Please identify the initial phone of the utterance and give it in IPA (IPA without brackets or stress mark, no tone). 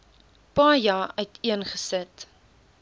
p